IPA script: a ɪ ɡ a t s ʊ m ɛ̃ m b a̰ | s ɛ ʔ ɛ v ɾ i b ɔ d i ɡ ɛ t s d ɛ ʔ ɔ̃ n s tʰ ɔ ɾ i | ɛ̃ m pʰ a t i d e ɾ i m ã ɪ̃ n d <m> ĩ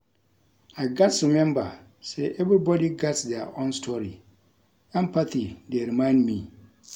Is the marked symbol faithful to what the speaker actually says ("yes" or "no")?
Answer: yes